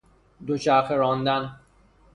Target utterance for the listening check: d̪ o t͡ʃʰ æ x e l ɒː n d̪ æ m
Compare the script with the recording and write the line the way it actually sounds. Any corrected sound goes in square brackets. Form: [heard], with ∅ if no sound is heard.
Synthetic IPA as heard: d̪ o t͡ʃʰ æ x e [ɾ] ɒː n d̪ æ [n]